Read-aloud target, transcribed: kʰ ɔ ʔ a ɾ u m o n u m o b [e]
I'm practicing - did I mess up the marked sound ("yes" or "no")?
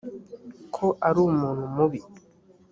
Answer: yes